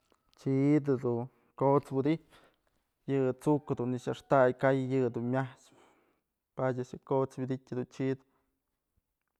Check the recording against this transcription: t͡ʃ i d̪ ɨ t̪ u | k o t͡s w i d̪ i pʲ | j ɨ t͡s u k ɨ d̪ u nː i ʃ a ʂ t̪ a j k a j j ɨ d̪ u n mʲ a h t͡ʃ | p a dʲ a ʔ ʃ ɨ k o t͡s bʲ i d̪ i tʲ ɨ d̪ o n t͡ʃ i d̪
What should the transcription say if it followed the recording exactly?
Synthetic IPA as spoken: t͡ʃ i d̪ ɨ d̪ u | k o t͡s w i d̪ i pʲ | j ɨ t͡s u k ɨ d̪ u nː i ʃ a ʂ t̪ a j k a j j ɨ d̪ u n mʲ a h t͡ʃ | p a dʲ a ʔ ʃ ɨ k o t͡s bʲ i d̪ i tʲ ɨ d̪ u n t͡ʃ i d̪